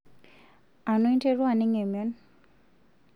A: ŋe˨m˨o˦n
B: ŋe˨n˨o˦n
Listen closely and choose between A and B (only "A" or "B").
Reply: A